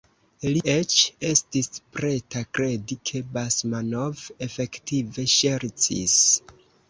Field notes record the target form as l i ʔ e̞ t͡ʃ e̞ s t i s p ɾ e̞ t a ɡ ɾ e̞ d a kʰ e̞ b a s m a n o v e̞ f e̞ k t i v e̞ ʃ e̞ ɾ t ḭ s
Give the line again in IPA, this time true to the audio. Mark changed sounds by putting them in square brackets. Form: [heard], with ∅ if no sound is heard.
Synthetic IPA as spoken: l i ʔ e̞ t͡ʃ e̞ s t i s p ɾ e̞ t a [k] ɾ e̞ d [i] kʰ e̞ b a s m a n o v e̞ f e̞ k t i v e̞ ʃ e̞ ɾ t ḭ s